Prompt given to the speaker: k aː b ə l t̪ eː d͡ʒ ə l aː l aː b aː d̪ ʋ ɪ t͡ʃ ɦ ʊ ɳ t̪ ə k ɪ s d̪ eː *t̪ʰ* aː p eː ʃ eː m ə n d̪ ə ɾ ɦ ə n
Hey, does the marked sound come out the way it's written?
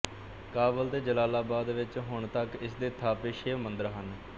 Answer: yes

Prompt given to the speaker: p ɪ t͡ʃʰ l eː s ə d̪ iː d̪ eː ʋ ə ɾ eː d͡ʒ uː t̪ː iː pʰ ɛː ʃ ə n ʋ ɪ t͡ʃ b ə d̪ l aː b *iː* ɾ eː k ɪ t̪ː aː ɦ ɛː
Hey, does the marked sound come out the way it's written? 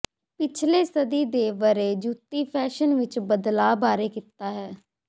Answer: no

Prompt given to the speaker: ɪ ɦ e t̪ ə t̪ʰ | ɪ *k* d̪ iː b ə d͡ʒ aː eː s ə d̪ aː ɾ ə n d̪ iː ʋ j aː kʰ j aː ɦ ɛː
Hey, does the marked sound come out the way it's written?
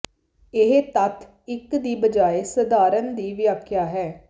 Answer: yes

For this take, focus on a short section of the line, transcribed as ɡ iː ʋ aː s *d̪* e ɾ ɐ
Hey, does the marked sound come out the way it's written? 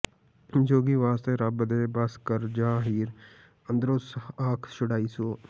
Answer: no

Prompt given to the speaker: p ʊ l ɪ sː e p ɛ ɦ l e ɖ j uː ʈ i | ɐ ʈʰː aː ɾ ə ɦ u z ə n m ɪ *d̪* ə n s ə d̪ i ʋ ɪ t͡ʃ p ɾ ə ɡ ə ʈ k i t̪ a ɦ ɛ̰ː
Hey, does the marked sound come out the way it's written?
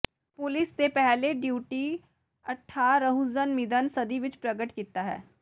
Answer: yes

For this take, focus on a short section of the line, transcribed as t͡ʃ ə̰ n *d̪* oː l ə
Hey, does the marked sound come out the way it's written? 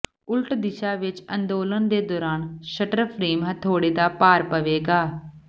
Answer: yes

